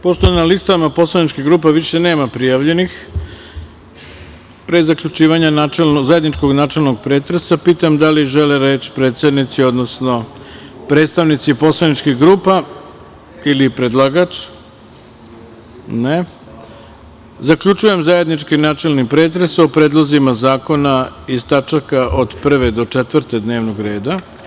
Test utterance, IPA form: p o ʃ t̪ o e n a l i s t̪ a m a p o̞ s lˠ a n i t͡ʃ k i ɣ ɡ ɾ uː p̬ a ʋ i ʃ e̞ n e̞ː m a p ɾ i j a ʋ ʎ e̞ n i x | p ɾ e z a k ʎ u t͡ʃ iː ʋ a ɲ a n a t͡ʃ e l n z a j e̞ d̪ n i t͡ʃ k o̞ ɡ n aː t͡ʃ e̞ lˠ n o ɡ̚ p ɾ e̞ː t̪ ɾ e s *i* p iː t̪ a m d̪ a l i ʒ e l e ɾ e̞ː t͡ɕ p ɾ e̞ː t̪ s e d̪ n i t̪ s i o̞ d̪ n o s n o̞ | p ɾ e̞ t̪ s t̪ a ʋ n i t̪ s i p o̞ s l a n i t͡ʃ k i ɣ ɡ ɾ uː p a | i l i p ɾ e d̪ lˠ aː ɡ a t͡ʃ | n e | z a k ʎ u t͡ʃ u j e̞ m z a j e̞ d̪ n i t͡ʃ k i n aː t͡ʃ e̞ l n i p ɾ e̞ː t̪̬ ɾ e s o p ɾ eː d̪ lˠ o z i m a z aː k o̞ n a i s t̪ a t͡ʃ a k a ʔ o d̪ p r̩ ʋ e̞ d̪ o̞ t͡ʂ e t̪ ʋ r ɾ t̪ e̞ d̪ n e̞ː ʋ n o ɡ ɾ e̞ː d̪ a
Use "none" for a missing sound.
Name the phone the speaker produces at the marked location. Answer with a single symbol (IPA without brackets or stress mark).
a